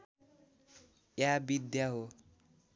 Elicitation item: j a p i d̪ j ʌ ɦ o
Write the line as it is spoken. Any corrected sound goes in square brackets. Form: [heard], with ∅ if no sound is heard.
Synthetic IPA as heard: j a [b] i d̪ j [a] ɦ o